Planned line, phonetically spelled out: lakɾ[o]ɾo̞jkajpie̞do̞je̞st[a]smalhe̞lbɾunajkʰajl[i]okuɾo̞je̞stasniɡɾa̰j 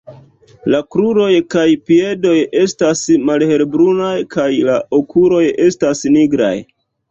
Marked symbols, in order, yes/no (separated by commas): no, yes, no